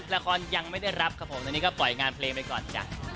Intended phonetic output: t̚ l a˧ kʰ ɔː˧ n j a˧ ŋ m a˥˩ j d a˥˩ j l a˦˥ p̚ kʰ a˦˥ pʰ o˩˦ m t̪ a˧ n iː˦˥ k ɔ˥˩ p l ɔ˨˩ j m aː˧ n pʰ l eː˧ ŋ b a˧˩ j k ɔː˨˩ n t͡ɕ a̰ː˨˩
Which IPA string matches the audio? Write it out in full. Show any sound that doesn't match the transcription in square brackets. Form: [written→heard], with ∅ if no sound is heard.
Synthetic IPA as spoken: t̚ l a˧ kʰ ɔː˧ n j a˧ ŋ m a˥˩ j d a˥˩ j [l→ɾ] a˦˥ p̚ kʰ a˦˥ pʰ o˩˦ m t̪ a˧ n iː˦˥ k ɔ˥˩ p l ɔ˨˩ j [m→ŋ] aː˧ n pʰ l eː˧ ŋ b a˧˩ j k ɔː˨˩ n t͡ɕ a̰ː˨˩